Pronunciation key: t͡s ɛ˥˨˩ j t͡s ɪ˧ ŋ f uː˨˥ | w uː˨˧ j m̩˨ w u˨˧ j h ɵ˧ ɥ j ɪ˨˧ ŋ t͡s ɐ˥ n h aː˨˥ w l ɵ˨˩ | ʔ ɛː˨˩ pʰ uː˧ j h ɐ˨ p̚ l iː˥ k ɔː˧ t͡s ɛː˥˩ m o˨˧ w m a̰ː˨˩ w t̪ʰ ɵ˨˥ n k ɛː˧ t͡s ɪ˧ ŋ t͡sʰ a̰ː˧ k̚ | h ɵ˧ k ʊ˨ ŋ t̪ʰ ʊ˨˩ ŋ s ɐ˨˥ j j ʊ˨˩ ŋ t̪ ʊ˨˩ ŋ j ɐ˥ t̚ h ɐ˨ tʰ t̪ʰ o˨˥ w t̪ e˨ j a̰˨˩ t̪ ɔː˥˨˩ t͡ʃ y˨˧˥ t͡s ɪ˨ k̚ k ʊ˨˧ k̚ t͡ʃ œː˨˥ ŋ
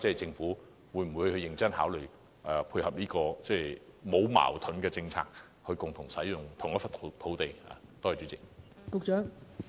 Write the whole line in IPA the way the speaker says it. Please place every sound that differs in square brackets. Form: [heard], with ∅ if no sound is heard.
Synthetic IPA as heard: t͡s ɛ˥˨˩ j t͡s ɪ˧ ŋ f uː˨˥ | w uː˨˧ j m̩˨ w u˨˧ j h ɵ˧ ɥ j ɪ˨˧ ŋ t͡s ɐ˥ n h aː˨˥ w l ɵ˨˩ | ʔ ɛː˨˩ pʰ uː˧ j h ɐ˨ p̚ l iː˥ k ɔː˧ t͡s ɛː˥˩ m o˨˧ w m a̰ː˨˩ w t̪ʰ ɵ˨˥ n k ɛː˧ t͡s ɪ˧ ŋ t͡sʰ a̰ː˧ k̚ | h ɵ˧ k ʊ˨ ŋ t̪ʰ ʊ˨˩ ŋ s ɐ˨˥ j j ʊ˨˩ ŋ [t̪ʰ] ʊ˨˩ ŋ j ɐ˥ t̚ [f] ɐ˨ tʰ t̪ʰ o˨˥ w t̪ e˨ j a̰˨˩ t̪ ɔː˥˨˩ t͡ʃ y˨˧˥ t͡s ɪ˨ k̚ k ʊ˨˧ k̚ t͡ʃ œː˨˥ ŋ